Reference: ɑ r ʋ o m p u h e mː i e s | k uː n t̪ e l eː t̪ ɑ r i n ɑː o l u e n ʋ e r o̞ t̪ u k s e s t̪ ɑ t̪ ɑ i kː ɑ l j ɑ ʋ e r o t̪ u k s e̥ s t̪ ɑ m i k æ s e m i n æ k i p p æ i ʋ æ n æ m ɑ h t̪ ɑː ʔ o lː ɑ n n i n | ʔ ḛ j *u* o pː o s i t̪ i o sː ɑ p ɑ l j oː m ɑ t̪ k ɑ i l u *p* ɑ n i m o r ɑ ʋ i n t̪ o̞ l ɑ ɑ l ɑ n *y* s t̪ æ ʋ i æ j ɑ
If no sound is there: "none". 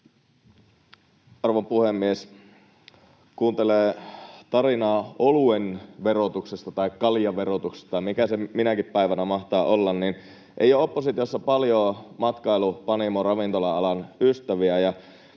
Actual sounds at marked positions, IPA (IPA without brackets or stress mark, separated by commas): o, p, y